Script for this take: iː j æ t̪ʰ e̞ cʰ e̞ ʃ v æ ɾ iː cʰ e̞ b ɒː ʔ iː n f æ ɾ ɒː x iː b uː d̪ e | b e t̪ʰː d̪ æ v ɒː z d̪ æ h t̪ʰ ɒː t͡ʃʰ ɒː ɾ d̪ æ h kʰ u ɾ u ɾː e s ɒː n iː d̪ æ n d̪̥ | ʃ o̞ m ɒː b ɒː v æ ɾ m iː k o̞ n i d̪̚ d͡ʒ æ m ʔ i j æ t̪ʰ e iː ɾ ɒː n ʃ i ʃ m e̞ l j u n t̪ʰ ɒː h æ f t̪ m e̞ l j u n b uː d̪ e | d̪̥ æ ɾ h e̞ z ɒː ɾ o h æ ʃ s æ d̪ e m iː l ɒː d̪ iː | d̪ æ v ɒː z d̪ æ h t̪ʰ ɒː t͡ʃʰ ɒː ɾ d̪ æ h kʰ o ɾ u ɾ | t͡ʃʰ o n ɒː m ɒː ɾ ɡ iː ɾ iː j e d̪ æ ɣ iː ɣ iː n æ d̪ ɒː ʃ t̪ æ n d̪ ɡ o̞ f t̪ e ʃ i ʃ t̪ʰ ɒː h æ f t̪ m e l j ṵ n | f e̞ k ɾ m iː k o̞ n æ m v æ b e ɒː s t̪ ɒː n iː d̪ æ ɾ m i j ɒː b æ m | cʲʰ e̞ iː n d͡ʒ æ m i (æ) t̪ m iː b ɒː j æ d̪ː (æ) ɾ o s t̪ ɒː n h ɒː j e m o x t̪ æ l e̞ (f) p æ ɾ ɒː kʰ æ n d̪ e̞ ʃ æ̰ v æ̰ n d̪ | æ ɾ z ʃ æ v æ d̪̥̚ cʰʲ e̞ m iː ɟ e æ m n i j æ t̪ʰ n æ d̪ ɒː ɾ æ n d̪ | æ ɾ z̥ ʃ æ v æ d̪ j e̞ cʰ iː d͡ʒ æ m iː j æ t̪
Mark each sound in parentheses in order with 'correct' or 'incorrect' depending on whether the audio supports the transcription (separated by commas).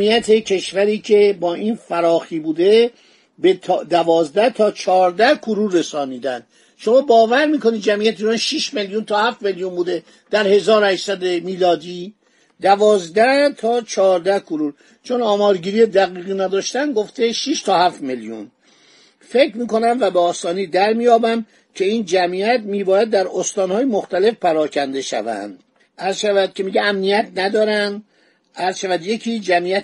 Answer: correct, correct, correct